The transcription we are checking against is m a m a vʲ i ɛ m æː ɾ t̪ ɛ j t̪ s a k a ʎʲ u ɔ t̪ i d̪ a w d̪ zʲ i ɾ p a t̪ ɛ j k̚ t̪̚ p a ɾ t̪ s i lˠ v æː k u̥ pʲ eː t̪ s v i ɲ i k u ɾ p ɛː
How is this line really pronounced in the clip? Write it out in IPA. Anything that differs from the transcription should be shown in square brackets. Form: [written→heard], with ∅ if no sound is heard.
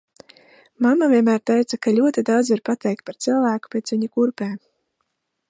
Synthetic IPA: m a m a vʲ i ɛ m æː ɾ t̪ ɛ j t̪ s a k a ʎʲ u ɔ t̪ i d̪ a w d̪ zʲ i ɾ p a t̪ ɛ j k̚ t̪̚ p a ɾ t̪ s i lˠ v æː k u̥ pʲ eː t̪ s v i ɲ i k u ɾ p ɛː

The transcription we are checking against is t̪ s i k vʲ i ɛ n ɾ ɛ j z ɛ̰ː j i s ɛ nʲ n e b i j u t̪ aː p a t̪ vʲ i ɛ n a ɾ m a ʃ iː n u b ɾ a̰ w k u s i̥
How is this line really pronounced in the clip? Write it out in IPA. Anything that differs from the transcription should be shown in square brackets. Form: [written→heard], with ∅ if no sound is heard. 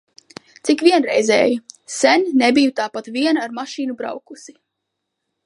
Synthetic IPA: t̪ s i k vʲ i ɛ n ɾ ɛ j z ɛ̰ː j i s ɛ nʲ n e b i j u t̪ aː p a t̪ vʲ i ɛ n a ɾ m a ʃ iː n u b ɾ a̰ w k u s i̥

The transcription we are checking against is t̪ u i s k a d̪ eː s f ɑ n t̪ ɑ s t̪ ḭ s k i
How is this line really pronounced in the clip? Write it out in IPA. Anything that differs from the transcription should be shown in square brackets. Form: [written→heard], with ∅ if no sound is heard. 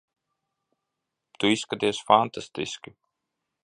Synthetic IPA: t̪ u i s k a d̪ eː s f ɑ n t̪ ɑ s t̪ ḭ s k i

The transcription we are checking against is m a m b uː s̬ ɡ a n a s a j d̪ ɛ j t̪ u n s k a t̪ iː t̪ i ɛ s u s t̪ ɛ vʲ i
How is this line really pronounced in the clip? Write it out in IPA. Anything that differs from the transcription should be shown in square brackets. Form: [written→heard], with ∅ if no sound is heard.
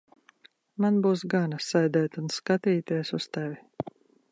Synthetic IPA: m a [m→n] b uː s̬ ɡ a n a s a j d̪ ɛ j t̪ u n s k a t̪ iː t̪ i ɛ s u s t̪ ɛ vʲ i

